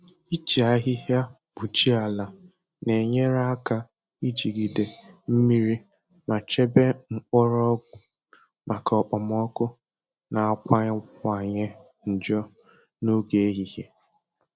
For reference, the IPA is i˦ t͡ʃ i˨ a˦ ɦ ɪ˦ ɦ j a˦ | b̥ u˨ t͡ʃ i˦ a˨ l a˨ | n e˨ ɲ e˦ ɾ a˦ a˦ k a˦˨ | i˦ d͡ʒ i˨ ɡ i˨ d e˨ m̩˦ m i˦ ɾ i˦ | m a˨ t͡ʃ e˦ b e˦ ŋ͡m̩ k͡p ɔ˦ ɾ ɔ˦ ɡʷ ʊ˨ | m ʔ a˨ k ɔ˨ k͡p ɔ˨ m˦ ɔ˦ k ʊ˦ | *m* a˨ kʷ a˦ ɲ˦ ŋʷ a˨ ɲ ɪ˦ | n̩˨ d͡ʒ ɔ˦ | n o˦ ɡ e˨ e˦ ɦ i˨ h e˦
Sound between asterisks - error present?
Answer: yes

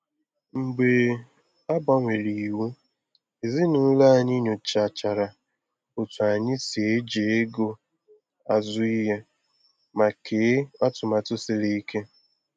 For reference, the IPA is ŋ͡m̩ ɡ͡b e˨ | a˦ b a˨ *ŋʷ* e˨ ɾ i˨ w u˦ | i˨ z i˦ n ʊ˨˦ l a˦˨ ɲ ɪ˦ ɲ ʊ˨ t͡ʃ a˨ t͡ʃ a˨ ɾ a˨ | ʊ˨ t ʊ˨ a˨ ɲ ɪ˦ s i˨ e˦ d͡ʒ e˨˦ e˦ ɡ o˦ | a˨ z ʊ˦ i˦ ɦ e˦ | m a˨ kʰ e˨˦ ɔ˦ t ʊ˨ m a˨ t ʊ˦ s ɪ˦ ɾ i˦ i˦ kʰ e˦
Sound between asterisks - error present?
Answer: no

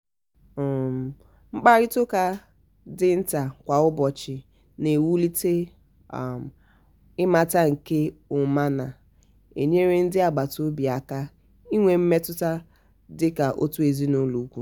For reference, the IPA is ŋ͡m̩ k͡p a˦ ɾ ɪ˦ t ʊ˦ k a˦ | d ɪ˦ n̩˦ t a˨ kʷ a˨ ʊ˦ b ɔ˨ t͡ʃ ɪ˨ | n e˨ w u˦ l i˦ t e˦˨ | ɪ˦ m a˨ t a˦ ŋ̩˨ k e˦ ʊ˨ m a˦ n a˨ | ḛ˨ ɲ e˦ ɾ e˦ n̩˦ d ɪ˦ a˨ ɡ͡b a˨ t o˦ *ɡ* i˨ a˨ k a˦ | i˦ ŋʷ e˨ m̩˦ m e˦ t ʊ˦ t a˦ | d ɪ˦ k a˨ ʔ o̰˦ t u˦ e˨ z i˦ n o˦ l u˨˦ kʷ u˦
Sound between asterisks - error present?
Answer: yes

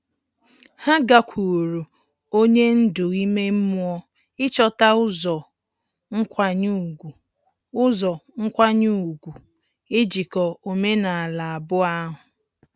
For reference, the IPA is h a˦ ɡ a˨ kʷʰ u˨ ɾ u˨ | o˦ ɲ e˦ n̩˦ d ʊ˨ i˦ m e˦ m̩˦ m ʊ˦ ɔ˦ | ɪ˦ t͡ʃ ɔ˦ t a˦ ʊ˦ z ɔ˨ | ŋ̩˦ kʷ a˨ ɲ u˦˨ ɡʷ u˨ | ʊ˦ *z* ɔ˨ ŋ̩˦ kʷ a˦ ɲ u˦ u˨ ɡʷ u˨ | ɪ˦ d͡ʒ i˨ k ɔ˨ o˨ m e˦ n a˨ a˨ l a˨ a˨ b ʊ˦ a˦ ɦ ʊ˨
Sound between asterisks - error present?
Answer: no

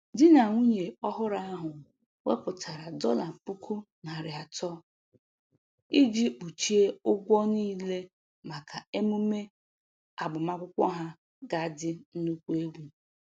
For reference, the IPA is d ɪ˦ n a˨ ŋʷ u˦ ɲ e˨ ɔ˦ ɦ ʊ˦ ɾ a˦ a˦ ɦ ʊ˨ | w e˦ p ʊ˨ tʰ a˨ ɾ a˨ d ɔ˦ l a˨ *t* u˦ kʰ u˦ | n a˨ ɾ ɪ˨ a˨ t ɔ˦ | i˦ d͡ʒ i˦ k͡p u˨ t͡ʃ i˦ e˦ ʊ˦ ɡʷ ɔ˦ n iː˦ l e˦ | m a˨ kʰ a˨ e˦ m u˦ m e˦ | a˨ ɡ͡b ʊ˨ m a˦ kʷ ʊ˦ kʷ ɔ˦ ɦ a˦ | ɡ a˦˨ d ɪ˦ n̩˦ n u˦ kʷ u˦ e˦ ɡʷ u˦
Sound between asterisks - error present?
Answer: yes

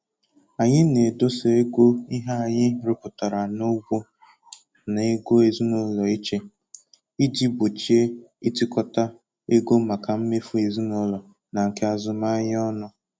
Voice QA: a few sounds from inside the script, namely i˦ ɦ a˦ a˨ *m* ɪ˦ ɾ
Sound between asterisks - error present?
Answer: yes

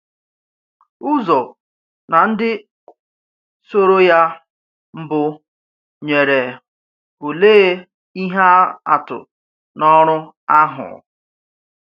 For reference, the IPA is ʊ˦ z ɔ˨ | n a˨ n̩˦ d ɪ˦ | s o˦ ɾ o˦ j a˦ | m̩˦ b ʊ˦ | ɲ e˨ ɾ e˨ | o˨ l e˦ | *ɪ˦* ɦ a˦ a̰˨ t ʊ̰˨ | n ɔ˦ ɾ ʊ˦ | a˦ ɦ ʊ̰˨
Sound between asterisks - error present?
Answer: yes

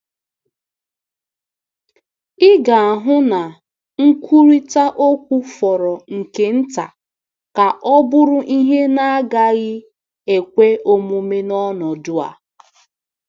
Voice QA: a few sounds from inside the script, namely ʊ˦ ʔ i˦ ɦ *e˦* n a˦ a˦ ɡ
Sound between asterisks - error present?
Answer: no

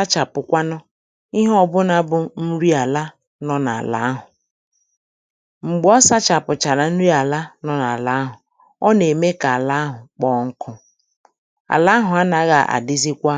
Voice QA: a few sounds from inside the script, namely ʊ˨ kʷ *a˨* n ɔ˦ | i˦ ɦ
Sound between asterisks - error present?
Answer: yes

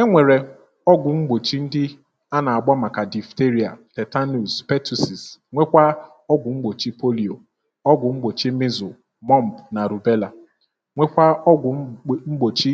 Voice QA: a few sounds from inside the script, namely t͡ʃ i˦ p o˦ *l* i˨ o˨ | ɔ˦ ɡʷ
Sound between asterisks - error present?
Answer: no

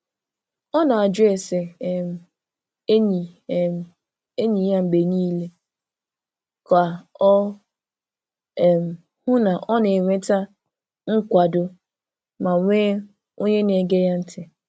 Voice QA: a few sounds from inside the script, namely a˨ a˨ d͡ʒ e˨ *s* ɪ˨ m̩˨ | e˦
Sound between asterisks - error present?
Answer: no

